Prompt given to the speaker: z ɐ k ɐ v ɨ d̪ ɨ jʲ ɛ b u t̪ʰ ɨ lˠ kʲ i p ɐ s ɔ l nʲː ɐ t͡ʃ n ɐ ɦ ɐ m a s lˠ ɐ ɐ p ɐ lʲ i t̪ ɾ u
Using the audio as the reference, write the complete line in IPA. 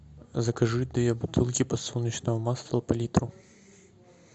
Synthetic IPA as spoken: z ɐ k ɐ ʐ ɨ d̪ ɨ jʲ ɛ b u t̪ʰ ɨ lˠ kʲ i p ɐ s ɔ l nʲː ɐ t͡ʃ n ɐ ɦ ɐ m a s lˠ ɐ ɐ p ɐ lʲ i t̪ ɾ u